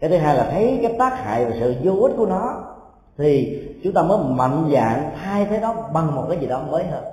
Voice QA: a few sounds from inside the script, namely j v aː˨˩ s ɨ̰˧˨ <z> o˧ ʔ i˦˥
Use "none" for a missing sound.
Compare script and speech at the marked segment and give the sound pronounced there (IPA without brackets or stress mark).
z